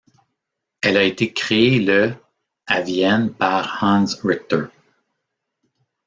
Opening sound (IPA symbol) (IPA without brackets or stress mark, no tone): ɛ